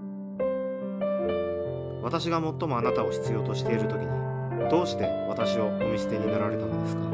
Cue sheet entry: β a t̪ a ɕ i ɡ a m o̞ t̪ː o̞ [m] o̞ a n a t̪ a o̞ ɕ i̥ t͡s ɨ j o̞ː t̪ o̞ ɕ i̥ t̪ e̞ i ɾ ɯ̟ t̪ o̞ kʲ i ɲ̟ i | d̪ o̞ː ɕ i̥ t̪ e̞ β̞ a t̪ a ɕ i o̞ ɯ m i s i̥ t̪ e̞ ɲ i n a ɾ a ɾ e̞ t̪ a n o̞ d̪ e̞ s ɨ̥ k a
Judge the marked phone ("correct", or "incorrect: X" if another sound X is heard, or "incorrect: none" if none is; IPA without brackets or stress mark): correct